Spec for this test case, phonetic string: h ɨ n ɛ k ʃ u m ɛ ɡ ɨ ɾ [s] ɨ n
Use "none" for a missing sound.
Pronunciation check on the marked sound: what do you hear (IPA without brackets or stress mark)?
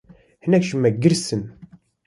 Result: s